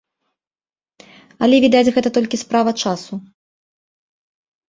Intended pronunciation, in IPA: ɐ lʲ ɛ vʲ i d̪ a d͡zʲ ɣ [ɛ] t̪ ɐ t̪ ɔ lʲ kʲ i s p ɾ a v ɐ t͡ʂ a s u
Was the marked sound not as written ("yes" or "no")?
no